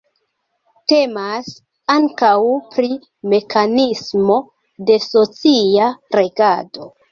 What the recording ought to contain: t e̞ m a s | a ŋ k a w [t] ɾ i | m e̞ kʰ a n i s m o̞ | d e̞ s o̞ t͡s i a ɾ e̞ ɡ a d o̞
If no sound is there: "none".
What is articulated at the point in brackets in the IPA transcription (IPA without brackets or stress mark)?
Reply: p